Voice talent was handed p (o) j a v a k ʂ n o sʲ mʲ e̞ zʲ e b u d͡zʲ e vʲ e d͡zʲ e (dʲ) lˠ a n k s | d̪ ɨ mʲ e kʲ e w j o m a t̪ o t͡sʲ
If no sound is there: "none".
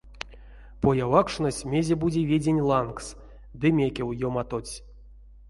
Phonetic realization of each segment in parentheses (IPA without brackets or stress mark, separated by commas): o, nʲ